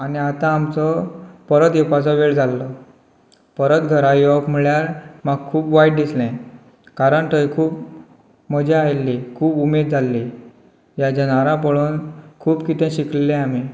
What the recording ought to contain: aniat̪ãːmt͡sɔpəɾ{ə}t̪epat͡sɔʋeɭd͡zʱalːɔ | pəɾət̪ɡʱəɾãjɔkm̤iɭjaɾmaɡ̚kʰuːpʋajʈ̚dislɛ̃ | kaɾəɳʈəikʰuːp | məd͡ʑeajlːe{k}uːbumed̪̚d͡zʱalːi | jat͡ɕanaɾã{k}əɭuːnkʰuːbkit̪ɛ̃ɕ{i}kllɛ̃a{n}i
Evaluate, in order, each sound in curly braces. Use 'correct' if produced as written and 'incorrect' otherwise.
correct, incorrect, incorrect, correct, incorrect

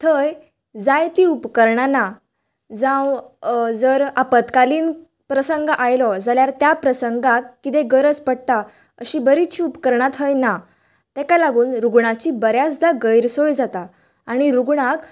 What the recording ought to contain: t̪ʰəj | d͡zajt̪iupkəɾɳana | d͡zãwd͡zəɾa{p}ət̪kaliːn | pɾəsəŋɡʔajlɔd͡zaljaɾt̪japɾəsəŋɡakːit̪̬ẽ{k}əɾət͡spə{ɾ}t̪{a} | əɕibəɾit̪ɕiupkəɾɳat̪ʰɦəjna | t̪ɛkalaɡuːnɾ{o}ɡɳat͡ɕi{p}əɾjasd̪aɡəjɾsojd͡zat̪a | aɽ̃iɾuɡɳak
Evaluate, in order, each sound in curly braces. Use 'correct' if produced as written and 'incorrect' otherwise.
correct, incorrect, incorrect, correct, incorrect, incorrect

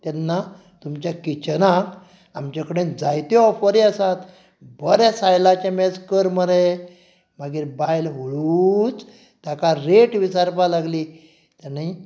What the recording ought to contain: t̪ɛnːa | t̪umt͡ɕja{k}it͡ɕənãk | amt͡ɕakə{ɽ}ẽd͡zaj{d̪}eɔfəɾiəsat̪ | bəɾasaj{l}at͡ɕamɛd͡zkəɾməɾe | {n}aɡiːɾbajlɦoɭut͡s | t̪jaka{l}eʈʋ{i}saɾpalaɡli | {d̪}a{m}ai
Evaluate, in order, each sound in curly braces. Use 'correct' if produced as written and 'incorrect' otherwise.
correct, correct, incorrect, correct, incorrect, incorrect, correct, incorrect, incorrect

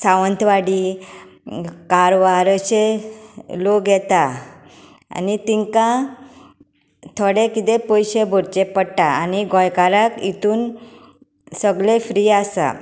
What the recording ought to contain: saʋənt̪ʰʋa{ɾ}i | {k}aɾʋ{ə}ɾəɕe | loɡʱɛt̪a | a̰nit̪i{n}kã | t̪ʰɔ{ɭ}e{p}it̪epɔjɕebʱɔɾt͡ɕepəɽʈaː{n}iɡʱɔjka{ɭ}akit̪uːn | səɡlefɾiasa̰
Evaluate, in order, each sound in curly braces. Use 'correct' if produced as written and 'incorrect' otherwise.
incorrect, correct, incorrect, incorrect, incorrect, incorrect, correct, incorrect

